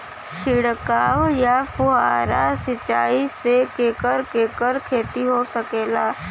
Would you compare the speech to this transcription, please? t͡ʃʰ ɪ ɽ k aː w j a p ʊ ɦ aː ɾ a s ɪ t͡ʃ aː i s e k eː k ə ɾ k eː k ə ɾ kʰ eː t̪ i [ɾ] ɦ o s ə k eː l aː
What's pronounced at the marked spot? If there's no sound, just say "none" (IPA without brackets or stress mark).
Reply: none